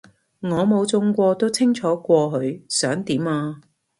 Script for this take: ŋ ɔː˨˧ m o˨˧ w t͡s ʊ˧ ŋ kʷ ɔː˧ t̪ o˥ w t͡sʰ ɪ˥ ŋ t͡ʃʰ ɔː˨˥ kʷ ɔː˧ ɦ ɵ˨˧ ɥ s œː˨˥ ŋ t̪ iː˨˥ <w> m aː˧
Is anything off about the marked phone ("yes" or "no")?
yes